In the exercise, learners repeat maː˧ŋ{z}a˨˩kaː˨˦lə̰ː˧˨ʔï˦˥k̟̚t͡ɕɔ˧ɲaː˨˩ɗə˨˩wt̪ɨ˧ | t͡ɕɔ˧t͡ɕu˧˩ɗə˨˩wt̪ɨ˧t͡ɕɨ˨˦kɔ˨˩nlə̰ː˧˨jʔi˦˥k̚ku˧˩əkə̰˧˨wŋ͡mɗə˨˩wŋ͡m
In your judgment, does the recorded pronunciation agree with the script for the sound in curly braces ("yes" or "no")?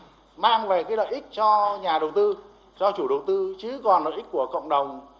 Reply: no